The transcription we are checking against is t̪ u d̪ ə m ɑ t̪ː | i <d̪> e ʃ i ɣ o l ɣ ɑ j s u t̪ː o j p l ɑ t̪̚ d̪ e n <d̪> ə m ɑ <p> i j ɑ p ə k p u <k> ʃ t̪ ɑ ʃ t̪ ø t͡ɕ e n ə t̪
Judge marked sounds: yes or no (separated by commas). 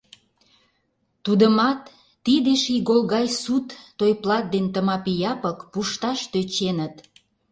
yes, no, yes, no